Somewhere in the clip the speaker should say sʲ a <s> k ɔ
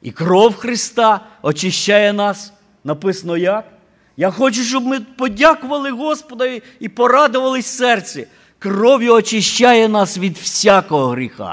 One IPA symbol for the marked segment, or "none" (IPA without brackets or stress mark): none